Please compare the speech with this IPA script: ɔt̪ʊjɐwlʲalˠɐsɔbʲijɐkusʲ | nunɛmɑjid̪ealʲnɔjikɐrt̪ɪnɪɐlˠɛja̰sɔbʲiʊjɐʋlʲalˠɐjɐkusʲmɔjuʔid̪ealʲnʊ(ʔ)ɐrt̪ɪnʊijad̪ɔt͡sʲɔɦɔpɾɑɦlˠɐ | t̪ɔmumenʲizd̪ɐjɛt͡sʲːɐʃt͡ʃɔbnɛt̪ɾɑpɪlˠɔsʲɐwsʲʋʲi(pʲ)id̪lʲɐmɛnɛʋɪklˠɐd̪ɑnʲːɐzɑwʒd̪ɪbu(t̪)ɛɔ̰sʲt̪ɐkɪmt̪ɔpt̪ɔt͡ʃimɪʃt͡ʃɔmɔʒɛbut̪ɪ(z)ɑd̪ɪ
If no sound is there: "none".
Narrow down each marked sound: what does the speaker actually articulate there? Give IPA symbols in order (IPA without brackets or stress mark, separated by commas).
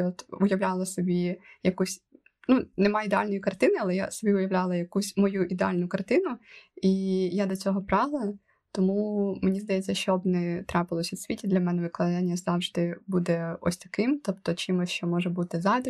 k, tʲ, d̪, z